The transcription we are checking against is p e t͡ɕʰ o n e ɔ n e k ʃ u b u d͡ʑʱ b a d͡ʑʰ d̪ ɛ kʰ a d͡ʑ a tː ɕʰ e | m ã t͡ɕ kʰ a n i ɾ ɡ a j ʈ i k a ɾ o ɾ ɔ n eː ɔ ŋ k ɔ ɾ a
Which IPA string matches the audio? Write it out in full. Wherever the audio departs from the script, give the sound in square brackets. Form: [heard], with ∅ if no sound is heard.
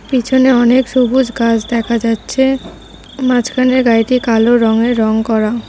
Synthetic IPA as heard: p [i] t͡ɕʰ o n e ɔ n e k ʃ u b u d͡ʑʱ [ɡ] a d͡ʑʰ d̪ ɛ kʰ a d͡ʑ a tː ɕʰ e | m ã t͡ɕ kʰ a n [e] ɾ ɡ a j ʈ i k a [l] o ɾ ɔ [ŋ] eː ɔ ŋ k ɔ ɾ a